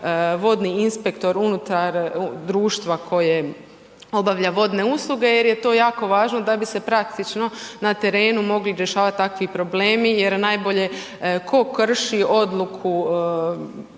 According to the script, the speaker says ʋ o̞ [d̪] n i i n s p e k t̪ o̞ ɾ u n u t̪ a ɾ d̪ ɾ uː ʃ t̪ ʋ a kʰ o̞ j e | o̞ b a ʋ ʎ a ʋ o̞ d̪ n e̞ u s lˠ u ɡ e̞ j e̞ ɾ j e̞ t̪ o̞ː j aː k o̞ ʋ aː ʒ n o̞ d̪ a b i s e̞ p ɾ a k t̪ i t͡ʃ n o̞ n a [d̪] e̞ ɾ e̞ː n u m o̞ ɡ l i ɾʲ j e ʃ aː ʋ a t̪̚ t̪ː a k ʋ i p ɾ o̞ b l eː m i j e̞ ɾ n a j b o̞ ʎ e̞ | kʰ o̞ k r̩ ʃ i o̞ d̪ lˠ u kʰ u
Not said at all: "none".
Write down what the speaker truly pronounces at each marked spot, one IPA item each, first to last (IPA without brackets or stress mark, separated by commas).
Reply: d̪, t̪